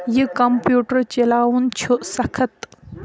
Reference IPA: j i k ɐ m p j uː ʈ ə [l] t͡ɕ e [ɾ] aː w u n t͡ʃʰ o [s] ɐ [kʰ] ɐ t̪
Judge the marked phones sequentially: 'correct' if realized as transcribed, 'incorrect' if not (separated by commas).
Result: incorrect, incorrect, correct, correct